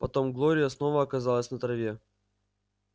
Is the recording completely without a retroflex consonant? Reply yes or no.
yes